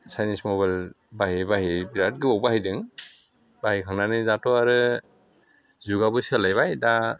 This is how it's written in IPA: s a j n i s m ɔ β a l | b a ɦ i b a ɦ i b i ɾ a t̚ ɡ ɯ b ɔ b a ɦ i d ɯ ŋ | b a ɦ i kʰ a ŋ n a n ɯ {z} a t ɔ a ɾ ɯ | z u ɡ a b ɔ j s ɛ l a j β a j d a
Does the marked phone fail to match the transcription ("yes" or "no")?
no